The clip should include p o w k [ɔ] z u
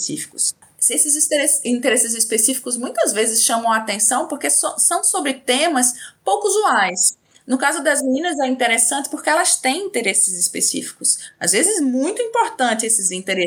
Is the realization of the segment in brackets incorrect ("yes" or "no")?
yes